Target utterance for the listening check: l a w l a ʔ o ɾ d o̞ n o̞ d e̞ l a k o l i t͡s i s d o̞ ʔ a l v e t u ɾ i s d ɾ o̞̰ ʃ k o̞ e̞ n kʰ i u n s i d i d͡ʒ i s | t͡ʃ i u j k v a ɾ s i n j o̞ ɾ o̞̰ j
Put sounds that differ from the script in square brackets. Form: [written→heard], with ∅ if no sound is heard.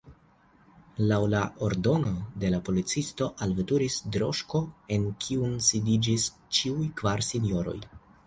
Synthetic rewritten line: l a w l a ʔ o ɾ d o̞ n o̞ d e̞ l a [k→p] o l i t͡s i s [d→t] o̞ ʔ a l v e t u ɾ i s d ɾ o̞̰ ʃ k o̞ e̞ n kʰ i u n s i d i d͡ʒ i s | t͡ʃ i u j k v a ɾ s i n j o̞ ɾ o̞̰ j